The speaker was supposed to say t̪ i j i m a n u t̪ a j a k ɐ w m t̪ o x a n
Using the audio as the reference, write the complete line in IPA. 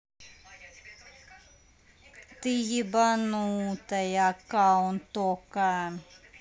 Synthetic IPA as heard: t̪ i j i b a n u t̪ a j a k a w n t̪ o k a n